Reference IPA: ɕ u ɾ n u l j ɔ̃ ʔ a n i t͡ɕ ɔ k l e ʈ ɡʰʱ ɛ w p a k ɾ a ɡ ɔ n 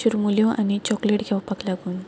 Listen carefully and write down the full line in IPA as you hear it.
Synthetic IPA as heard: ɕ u ɾ m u l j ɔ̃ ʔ a n i t͡ɕ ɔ k l e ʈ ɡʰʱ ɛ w p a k l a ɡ u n